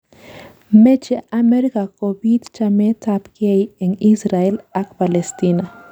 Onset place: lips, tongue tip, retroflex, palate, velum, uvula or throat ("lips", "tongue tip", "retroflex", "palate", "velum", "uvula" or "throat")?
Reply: lips